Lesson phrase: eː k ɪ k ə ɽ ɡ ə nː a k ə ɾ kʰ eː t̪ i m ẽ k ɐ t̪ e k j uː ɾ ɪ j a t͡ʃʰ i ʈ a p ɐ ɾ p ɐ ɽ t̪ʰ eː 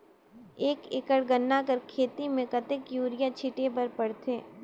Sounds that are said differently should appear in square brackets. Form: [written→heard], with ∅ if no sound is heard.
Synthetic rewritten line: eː k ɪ k ə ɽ ɡ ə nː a k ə ɾ kʰ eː t̪ i m ẽ k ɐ t̪ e k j uː ɾ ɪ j a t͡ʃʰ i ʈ [a→e] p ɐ ɾ p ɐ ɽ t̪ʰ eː